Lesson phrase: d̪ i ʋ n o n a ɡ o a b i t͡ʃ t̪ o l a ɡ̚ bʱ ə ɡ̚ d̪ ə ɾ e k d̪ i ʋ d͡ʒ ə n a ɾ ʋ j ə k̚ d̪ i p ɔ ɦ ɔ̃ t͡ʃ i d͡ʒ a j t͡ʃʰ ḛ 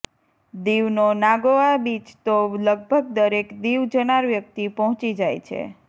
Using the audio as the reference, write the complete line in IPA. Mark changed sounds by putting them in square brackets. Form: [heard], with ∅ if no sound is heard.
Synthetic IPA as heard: d̪ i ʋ n o n a ɡ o a b i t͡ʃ t̪ o l [ə] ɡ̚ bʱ ə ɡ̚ d̪ ə ɾ e k d̪ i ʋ d͡ʒ ə n a ɾ ʋ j ə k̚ [t̪] i p ɔ ɦ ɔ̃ t͡ʃ i d͡ʒ a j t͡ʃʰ ḛ